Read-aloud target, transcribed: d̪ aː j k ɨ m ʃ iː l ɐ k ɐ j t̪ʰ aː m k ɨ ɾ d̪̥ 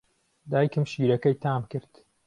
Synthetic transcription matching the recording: d̪ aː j k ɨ m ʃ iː ɾ ɐ k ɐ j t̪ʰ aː m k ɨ ɾ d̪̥

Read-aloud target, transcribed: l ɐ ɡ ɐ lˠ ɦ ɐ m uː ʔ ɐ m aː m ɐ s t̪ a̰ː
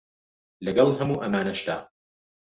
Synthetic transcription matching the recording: l ɐ ɡ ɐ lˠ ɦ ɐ m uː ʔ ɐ m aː n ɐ ʃ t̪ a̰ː

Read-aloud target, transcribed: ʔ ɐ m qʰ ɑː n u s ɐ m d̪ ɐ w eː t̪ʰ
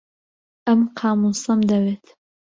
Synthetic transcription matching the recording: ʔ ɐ m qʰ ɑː m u s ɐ m d̪ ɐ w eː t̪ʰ

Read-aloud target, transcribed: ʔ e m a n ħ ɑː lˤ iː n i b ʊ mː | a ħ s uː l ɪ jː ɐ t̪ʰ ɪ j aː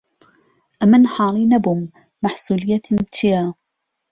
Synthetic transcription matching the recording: ʔ a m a n ħ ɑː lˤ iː n a b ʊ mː | a ħ s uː l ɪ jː a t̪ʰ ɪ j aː

